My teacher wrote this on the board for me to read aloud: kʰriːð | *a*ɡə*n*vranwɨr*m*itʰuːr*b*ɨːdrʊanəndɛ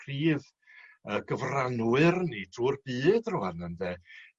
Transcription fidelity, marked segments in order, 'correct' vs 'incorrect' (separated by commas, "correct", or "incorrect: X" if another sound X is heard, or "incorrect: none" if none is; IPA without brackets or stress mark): incorrect: ə, incorrect: none, incorrect: n, correct